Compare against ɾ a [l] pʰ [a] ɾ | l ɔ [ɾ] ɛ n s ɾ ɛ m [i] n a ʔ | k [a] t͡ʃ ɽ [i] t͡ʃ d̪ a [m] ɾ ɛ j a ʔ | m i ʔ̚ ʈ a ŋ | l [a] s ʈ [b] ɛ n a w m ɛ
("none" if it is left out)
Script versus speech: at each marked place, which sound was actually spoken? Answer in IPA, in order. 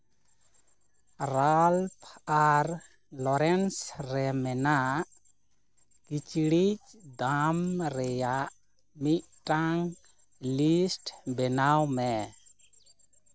l, a, ɾ, ɛ, i, i, m, i, b

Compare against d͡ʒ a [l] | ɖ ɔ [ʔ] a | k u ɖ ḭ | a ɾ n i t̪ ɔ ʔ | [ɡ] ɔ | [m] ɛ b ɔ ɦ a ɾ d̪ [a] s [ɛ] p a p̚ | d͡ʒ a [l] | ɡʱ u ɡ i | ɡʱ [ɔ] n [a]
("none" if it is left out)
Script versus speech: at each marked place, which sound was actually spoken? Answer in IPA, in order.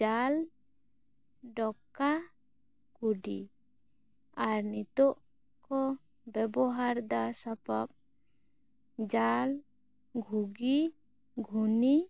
l, k, k, b, a, a, l, u, i

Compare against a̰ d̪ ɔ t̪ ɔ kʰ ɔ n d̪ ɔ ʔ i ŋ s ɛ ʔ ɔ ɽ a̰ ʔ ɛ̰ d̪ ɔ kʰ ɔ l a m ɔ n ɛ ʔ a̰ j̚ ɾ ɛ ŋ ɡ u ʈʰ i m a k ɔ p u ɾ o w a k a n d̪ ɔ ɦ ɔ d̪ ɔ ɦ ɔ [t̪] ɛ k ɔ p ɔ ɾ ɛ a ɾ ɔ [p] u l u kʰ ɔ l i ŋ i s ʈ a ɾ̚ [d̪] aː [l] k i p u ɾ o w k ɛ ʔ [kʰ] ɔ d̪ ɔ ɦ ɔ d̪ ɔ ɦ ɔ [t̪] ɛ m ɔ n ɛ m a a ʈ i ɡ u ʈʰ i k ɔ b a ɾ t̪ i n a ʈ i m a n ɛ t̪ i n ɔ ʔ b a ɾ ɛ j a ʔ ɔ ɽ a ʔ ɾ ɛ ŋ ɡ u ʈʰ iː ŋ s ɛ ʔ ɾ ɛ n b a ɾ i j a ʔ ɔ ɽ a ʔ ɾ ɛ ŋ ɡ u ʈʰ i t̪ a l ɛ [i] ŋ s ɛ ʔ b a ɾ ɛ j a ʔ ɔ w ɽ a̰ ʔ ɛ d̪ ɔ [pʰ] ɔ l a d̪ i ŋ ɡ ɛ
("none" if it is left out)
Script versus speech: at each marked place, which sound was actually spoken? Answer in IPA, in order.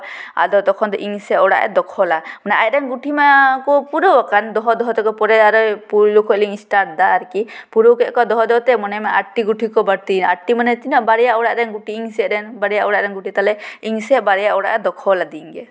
t̪, p, d̪, ɾ, k, t̪, i, kʰ

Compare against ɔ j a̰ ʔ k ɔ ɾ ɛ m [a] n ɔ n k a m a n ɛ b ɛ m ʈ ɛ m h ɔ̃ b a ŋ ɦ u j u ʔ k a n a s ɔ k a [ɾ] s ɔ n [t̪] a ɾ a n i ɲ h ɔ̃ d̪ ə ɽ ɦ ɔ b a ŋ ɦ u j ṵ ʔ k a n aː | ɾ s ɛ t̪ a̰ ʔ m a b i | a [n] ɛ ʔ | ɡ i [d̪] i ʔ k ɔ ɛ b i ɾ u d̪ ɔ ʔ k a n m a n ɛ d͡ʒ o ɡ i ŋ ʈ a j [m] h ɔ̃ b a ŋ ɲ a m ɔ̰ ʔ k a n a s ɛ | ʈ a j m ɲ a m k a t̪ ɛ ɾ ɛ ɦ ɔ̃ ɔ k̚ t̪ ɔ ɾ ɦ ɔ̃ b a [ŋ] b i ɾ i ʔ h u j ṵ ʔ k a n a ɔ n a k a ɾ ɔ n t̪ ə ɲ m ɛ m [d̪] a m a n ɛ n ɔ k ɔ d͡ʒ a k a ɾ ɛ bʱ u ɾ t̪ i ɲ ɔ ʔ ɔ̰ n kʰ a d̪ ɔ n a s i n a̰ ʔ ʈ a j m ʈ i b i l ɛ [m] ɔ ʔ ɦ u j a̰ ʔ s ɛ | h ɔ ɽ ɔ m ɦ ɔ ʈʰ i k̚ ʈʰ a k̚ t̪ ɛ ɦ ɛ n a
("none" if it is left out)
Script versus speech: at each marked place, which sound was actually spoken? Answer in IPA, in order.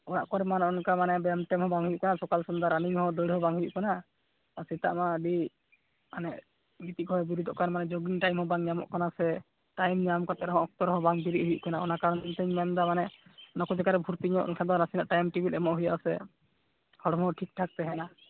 a, l, d̪, n, t̪, m, ŋ, d̪, m

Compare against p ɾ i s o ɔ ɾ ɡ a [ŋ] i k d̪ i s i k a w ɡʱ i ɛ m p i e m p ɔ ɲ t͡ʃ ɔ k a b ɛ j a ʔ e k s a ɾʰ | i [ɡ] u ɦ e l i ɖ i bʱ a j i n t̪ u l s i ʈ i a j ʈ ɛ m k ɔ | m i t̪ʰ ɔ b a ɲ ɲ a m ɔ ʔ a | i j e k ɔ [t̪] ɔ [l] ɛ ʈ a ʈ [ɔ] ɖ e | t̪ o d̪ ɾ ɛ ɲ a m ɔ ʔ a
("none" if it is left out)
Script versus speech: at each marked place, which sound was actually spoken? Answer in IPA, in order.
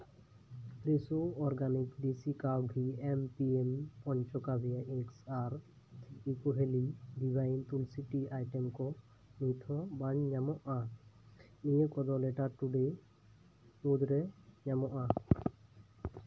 n, k, d̪, l, u

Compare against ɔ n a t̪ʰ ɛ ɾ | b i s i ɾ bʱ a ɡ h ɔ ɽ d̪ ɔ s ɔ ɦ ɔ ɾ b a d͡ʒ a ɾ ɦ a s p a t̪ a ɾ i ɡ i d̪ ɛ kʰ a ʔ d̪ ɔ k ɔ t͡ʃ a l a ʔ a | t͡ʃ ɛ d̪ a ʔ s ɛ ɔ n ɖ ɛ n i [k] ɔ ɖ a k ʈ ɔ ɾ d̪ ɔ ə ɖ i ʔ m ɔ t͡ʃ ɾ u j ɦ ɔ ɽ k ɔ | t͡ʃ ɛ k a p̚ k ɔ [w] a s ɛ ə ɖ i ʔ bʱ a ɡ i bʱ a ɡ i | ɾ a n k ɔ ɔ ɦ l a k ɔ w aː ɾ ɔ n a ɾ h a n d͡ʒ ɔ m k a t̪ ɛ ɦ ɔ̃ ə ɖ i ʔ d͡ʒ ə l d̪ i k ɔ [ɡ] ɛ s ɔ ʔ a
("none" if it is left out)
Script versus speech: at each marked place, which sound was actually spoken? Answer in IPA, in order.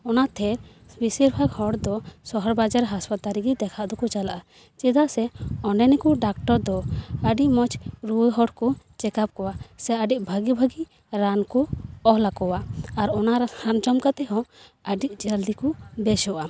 k, w, b

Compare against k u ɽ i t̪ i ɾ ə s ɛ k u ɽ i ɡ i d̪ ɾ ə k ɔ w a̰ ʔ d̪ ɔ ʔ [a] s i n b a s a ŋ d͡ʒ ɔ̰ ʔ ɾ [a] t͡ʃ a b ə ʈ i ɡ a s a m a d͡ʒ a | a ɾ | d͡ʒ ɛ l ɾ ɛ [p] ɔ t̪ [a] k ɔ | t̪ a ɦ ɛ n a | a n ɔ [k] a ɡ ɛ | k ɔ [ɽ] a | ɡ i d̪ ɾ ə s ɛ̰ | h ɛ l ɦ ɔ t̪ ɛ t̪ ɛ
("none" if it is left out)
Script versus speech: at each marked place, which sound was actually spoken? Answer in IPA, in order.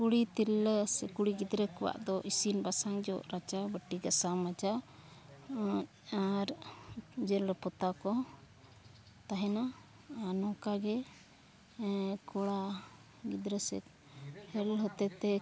i, a, p, a, k, ɽ

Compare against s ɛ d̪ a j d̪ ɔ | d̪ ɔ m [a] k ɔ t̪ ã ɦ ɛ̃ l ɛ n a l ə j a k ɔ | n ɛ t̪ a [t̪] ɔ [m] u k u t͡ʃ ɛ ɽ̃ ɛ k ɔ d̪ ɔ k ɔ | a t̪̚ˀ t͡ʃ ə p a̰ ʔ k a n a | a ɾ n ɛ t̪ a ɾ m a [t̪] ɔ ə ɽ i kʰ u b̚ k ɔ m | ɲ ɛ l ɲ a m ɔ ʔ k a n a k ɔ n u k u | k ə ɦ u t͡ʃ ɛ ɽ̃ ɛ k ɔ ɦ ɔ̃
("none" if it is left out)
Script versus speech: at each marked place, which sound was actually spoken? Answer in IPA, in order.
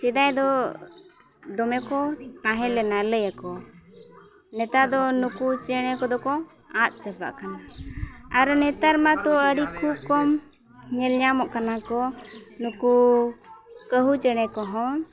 ɛ, d̪, n, t̪

